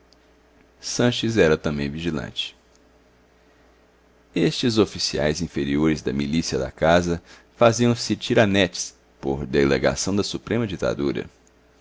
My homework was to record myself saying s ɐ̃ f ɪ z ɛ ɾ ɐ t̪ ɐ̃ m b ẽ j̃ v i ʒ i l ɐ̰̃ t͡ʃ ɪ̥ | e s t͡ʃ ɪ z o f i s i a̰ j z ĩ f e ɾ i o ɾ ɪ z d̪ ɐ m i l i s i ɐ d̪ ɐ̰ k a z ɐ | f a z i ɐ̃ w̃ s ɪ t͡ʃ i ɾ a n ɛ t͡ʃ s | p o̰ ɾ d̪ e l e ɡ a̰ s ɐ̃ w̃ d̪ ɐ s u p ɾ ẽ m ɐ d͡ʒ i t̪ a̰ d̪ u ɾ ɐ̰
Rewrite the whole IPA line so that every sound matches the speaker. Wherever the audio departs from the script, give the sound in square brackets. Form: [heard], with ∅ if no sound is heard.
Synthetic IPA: s ɐ̃ [ʃ] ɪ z ɛ ɾ ɐ t̪ ɐ̃ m b ẽ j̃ v i ʒ i l ɐ̰̃ t͡ʃ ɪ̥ | e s t͡ʃ ɪ z o f i s i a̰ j z ĩ f e ɾ i o ɾ ɪ z d̪ ɐ m i l i s i ɐ d̪ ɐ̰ k a z ɐ | f a z i ɐ̃ w̃ s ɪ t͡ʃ i ɾ a n ɛ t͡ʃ s | p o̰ ɾ d̪ e l e ɡ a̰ s ɐ̃ w̃ d̪ ɐ s u p ɾ ẽ m ɐ d͡ʒ i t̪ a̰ d̪ u ɾ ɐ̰